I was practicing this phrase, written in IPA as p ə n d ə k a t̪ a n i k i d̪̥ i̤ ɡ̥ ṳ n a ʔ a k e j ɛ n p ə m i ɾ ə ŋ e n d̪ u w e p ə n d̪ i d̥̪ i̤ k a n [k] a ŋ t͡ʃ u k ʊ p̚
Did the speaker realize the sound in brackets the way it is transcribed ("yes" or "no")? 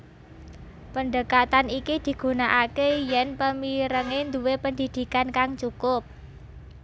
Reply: yes